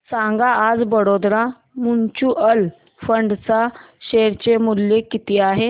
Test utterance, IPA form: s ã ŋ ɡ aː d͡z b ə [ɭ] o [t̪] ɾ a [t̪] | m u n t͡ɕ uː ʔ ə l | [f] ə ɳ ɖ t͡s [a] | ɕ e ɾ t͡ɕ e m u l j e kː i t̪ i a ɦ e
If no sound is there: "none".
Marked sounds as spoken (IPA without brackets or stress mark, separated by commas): ɽ, d̪, none, f, a